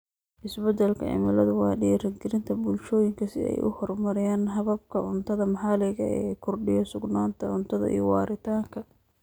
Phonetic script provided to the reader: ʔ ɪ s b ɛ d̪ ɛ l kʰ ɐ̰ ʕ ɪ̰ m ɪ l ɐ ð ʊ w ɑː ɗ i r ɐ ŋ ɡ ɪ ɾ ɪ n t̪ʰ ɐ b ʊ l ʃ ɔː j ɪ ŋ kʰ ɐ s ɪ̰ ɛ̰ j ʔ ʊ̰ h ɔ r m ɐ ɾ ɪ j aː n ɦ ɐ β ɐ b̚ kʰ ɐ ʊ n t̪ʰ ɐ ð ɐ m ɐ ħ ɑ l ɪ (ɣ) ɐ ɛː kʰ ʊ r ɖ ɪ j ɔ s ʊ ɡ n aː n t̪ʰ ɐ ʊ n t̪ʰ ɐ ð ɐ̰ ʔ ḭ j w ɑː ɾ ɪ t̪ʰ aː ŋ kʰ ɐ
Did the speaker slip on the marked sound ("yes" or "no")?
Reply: no